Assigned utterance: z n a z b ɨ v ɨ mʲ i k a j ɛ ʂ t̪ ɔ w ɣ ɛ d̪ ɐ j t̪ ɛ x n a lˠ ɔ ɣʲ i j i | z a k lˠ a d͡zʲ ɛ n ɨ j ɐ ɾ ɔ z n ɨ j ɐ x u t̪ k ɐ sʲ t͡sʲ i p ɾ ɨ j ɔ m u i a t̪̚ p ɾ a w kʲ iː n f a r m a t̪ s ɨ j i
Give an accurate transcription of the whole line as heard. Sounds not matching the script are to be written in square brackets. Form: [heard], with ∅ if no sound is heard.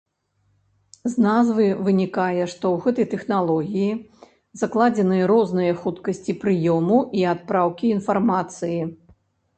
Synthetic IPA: z n a z [v] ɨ v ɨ [nʲ] i k a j ɛ ʂ t̪ ɔ w ɣ ɛ [t̪] ɐ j t̪ ɛ x n a lˠ ɔ ɣʲ i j i | z a k lˠ a d͡zʲ ɛ n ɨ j ɐ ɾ ɔ z n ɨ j ɐ x u t̪ k ɐ sʲ t͡sʲ i p ɾ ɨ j ɔ m u i a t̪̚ p ɾ a w kʲ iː n f a r m a t̪ s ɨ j i